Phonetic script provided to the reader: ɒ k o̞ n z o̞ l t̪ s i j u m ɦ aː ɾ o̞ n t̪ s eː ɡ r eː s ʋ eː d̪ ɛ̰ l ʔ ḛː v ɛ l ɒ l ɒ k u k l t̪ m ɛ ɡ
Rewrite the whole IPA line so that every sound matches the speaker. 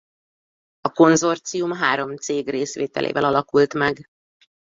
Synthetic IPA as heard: ɒ k o̞ n z o̞ r t̪ s i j u m ɦ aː ɾ o̞ m t̪ s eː ɡ r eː s ʋ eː t̪ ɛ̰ l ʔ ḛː v ɛ l ɒ l ɒ k u l t̪ m ɛ ɡ